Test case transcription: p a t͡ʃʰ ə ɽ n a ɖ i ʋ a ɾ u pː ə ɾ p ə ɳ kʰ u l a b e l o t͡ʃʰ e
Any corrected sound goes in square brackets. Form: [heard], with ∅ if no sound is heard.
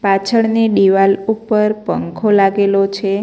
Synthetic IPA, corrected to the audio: p a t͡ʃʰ ə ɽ n [e] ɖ i ʋ a [l] u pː ə ɾ p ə [ŋ] kʰ [o] l a [ɡ] e l o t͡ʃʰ e